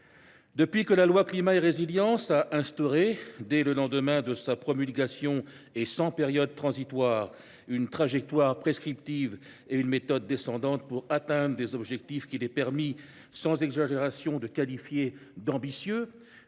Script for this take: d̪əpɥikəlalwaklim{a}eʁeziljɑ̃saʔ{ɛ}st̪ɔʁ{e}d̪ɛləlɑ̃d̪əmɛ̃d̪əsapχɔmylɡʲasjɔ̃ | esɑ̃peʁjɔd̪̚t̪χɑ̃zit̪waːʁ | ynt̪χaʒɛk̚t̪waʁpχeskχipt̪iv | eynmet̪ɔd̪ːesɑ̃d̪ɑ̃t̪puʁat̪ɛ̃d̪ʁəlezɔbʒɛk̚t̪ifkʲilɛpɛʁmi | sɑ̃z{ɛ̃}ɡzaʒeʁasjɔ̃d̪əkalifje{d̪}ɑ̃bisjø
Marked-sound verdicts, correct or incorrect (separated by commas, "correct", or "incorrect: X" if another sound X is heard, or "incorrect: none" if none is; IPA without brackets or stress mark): correct, incorrect: ɛ̃, correct, incorrect: ɛ, correct